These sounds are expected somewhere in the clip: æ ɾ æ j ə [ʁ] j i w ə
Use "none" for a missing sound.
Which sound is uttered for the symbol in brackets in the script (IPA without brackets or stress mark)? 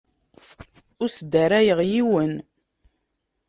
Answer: ʁ